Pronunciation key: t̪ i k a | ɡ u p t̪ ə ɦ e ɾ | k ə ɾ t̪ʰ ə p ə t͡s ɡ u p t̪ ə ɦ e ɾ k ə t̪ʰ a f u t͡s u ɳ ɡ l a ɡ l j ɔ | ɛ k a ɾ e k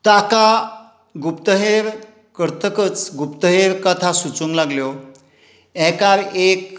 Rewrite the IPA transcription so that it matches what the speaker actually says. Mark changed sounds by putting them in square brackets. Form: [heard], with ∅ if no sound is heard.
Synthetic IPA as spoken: t̪ [a] k a | ɡ u p t̪ ə ɦ e ɾ | k ə ɾ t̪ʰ ə [k] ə t͡s ɡ u p t̪ ə ɦ e ɾ k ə t̪ʰ a [s] u t͡s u [ŋ] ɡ l a ɡ l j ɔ | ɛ k a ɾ e k